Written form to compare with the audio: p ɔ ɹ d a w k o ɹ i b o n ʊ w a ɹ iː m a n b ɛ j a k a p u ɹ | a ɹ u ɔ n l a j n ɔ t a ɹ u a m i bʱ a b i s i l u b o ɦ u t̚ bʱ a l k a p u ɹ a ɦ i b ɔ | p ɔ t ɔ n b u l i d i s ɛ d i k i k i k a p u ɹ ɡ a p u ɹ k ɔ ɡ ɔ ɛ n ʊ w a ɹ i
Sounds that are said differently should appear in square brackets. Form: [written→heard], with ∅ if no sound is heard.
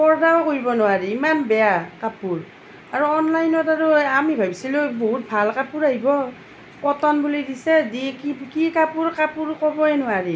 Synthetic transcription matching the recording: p ɔ ɹ d a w k o ɹ i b [o→ɔ] n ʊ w a ɹ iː m a n b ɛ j a k a p u ɹ | a ɹ u ɔ n l a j n ɔ t a ɹ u a m i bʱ a b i s i l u b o ɦ u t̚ bʱ a l k a p u ɹ a ɦ i b ɔ | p ɔ t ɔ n b u l i d i s ɛ d i k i k i k a p u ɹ [ɡ→k] a p u ɹ k ɔ [ɡ→b] ɔ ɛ n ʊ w a ɹ i